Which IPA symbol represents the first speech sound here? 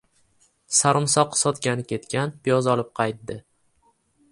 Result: s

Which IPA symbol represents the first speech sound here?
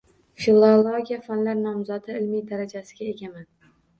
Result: f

